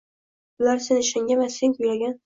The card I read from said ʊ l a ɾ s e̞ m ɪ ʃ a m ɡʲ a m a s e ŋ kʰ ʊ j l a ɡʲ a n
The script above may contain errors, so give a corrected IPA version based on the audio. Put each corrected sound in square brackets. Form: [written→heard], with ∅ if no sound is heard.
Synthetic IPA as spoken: ʊ l a ɾ s e̞ [m→n] ɪ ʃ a [m→ŋ] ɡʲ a m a s e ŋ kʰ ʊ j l a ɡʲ a n